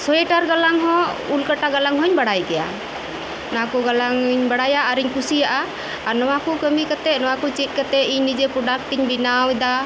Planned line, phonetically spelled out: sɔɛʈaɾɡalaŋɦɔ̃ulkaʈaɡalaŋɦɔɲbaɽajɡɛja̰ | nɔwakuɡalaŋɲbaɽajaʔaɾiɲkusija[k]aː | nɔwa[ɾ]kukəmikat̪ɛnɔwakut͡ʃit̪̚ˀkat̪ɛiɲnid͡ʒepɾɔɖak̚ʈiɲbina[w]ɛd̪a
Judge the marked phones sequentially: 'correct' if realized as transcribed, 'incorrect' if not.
incorrect: ʔ, incorrect: none, correct

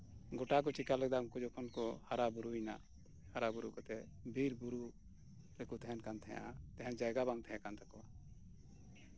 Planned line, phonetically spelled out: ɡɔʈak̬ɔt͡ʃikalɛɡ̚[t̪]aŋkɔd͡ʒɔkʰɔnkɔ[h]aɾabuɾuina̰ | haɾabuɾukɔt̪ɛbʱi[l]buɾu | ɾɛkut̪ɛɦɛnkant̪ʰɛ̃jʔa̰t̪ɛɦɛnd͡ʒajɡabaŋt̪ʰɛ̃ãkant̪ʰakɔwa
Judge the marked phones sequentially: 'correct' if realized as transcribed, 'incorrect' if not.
incorrect: d̪, correct, incorrect: ɾ

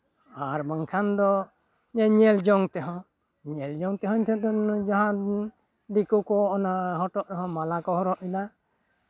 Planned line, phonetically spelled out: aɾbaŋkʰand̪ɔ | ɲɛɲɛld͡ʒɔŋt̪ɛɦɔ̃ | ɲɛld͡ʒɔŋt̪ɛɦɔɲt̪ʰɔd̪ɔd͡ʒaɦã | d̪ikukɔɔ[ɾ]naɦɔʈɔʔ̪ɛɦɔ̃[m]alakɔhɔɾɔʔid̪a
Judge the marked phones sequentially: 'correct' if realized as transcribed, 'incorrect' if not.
incorrect: none, correct

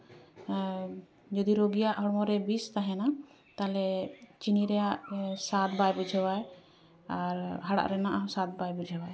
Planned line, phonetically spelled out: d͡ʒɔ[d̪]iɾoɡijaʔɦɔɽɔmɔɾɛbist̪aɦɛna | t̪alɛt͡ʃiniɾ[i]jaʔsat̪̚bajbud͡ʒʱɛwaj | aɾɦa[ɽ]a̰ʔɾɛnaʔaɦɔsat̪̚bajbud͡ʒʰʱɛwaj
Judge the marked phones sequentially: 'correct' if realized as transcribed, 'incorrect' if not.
correct, incorrect: ɛ, correct

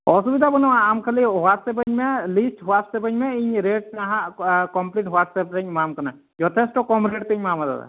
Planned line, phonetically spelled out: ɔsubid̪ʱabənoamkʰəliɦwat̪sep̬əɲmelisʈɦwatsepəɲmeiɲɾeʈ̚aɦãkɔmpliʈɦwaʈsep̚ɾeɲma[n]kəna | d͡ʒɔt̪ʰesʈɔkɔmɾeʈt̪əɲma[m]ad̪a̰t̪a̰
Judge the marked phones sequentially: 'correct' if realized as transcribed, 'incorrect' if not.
incorrect: m, correct

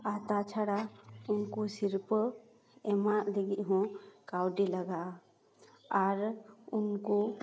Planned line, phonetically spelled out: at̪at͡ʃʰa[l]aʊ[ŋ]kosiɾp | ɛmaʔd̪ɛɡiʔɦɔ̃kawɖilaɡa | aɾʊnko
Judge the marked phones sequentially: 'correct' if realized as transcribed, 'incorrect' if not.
incorrect: ɽ, incorrect: n

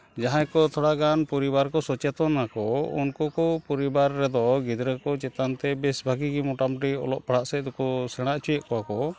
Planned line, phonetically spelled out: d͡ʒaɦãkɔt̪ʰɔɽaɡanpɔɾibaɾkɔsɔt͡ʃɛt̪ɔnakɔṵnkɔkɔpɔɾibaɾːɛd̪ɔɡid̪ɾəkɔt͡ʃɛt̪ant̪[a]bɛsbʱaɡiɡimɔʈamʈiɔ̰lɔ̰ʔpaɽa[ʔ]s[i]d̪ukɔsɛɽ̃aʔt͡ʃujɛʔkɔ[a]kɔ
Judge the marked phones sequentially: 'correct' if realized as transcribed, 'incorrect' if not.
incorrect: ɛ, correct, incorrect: ɛ, correct

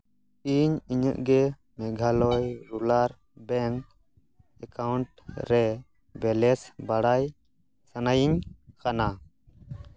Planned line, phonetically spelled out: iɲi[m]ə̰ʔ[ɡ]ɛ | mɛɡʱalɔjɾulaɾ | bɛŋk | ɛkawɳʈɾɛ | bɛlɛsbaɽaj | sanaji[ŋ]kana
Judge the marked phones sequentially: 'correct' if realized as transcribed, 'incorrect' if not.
incorrect: ɲ, correct, incorrect: ɲ

